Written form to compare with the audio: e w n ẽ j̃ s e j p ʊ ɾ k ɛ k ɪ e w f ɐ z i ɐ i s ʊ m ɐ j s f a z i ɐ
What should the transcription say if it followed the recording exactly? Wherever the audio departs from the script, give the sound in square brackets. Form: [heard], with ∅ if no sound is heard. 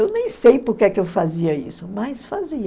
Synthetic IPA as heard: e w n ẽ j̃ s e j p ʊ ɾ k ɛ k ɪ e w f [a] z i ɐ i s ʊ m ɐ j s f a z i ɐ